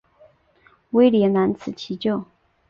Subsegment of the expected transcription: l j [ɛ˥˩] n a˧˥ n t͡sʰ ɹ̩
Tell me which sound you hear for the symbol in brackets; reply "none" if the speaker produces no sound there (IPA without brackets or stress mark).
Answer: ɛ˧˥